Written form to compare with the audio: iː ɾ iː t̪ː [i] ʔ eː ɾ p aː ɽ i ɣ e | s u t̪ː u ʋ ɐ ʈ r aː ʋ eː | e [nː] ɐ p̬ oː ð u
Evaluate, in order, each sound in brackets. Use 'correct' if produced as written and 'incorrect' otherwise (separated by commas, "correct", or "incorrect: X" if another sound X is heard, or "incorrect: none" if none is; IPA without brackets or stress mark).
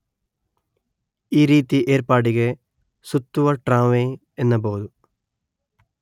correct, correct